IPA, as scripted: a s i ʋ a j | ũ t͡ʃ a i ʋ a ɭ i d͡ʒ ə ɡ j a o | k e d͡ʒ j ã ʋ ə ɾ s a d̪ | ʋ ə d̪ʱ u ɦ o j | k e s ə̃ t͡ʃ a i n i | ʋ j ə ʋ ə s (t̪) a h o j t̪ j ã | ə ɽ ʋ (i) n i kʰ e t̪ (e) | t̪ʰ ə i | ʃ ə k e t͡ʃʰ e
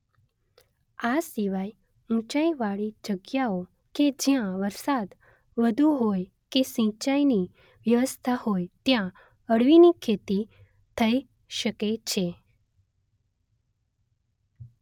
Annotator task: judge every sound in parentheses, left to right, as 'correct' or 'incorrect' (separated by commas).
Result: incorrect, correct, incorrect